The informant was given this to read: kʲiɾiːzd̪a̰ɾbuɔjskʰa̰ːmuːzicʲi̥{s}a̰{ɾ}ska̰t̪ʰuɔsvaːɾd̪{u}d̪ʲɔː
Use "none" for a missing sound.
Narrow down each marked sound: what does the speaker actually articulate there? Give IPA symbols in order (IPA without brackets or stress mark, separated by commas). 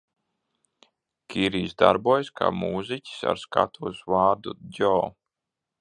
s, ɾ, u